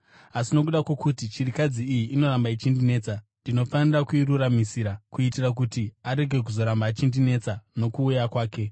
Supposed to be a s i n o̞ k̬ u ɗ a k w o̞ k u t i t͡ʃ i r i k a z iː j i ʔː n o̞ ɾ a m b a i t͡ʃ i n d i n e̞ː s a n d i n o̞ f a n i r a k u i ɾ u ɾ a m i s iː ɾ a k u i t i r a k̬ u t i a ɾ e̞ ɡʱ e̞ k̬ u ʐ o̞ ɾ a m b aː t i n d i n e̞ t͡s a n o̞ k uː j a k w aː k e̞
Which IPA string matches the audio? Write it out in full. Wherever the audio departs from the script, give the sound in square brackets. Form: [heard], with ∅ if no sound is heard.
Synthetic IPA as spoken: a s i n o̞ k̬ u ɗ a k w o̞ k u t i t͡ʃ i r i k a [d͡z] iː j i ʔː n o̞ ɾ a m b a i t͡ʃ i n d i n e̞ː [t͡s] a n d i n o̞ f a n i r a k u i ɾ u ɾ a m i s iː ɾ a k u i t i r a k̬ u t i a ɾ e̞ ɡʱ e̞ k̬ u [z] o̞ ɾ a m b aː [t͡ʃ] i n d i n e̞ t͡s a n o̞ k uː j a k w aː k e̞